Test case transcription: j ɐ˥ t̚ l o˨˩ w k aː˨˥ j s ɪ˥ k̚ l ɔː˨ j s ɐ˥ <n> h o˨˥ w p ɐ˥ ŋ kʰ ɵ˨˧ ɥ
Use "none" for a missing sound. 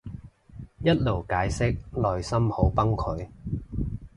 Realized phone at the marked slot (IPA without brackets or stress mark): m